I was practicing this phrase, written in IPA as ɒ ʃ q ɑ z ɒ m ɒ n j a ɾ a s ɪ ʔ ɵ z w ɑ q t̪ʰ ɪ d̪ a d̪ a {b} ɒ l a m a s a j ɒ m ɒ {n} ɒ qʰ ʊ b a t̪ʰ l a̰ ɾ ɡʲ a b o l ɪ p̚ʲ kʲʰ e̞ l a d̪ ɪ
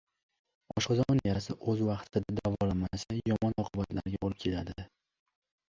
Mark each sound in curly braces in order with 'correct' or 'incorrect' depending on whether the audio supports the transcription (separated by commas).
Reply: incorrect, correct